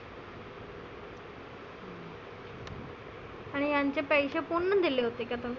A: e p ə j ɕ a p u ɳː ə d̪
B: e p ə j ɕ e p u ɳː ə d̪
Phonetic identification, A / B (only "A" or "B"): B